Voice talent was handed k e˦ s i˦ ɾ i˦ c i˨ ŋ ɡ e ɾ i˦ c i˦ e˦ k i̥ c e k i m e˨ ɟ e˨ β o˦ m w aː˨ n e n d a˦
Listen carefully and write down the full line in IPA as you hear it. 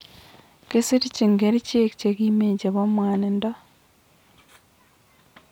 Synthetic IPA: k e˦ s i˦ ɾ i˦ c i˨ ŋ ɡ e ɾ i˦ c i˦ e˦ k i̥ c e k i m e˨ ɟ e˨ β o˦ m w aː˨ n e n d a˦